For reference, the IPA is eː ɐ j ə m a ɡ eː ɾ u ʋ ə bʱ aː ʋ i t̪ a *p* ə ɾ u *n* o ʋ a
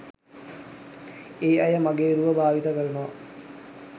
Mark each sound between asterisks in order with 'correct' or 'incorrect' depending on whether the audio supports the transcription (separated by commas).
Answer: incorrect, correct